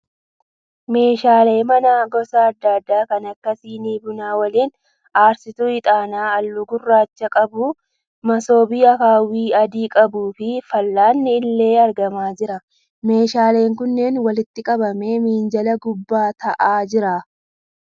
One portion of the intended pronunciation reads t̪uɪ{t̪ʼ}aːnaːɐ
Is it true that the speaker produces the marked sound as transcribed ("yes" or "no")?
yes